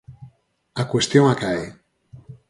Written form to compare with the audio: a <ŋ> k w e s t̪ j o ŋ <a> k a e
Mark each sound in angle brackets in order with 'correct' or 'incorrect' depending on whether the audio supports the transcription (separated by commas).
incorrect, correct